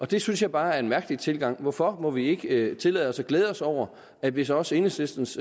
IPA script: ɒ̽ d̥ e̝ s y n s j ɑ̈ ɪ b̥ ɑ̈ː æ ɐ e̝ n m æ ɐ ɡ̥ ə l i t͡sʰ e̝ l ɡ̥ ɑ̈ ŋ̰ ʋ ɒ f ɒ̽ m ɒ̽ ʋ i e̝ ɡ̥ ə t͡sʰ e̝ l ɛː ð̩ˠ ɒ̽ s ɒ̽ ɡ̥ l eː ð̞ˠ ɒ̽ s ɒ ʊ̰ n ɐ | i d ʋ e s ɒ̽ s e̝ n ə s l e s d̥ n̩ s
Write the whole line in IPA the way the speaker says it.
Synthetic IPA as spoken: ɒ̽ d̥ e̝ s y n s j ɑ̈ ɪ b̥ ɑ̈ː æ ɐ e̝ n m æ ɐ ɡ̥ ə l i t͡sʰ e̝ l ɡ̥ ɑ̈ ŋ̰ ʋ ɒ f ɒ̽ m ɒ̽ ʋ i e̝ ɡ̥ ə t͡sʰ e̝ l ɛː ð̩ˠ ɒ̽ s ɒ̽ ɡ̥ l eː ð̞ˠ ɒ̽ s ɒ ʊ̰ ɐ | æ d ʋ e s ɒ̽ s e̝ n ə s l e s d̥ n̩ s